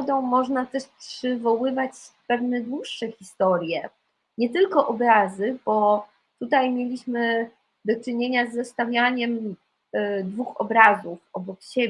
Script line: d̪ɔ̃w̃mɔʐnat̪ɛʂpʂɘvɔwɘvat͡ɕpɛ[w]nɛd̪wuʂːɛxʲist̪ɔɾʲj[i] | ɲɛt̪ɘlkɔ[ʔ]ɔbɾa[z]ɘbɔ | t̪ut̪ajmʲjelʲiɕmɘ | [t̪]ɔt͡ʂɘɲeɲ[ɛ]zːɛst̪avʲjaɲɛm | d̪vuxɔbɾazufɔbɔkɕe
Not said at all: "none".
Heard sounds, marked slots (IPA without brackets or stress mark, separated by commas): v, ɛ, ʔ, z, d̪, a